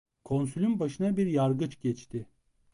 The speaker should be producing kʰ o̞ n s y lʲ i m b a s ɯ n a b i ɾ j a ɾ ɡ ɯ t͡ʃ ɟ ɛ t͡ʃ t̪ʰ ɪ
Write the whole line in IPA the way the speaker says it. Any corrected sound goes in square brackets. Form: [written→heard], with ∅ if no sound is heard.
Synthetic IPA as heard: kʰ o̞ n s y lʲ [i→y] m b a [s→ʃ] ɯ n a b i ɾ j a ɾ ɡ ɯ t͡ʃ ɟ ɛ t͡ʃ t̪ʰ ɪ